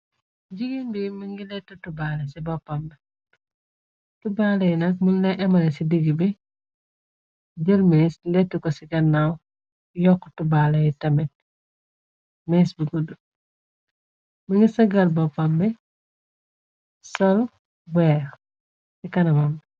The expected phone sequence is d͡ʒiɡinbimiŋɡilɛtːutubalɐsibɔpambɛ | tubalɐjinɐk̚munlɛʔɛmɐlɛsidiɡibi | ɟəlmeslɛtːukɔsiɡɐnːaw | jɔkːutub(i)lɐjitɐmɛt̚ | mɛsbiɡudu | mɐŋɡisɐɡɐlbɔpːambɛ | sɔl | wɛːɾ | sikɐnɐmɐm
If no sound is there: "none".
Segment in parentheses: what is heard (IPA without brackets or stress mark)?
a